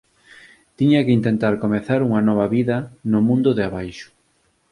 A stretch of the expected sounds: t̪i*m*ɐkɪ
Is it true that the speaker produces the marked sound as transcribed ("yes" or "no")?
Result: no